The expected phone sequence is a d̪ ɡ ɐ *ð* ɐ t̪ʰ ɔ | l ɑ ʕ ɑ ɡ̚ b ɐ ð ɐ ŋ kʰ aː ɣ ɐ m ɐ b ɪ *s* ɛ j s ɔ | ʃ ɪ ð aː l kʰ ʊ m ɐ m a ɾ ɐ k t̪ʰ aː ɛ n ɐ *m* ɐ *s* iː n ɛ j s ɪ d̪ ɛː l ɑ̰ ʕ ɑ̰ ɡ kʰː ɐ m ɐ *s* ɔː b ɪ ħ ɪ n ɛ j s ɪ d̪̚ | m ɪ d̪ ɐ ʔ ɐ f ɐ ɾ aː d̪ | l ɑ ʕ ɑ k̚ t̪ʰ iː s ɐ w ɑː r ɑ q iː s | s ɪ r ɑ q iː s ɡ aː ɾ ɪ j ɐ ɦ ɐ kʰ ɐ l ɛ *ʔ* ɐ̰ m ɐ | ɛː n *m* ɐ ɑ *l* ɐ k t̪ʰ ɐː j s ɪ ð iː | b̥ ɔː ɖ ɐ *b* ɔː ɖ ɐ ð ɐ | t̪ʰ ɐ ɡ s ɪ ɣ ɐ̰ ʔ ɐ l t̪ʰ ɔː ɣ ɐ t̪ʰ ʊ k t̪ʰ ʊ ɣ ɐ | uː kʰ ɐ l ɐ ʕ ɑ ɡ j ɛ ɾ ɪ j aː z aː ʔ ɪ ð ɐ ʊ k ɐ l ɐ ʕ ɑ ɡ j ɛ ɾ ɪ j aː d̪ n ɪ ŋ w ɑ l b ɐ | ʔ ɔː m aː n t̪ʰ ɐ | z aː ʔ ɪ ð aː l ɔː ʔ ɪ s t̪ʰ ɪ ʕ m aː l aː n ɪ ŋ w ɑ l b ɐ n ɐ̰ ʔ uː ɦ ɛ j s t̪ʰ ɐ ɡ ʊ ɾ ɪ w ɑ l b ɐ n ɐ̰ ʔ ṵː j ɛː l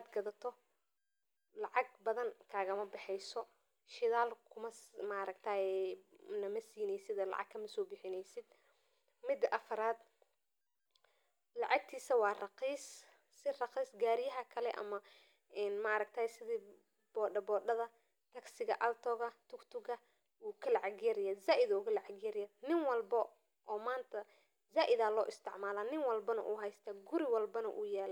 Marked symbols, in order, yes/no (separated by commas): yes, no, yes, yes, yes, yes, yes, no, yes